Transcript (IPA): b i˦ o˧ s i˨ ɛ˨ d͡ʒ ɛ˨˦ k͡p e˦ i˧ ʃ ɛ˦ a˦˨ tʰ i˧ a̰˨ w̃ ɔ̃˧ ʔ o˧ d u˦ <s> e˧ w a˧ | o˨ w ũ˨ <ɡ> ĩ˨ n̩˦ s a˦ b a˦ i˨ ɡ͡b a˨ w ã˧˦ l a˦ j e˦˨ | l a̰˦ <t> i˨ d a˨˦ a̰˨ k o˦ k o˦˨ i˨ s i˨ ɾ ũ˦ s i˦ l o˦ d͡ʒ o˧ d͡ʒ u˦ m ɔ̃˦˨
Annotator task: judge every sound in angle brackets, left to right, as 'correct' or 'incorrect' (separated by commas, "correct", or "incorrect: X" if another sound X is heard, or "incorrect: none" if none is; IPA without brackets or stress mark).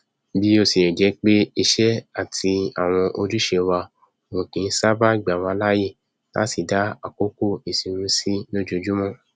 incorrect: ʃ, incorrect: k, incorrect: s